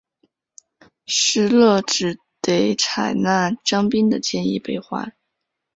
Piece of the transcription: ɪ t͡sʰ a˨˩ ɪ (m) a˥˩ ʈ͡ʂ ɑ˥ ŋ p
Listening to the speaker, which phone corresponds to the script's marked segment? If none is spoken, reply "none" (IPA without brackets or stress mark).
n